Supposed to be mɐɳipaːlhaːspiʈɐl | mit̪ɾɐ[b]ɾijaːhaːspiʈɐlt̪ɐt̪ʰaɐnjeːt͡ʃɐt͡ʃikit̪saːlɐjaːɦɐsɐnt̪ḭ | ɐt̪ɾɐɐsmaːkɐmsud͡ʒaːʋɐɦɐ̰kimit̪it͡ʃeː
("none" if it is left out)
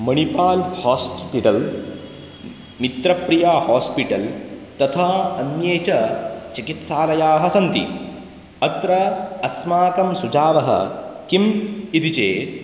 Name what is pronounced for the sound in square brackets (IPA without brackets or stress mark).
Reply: p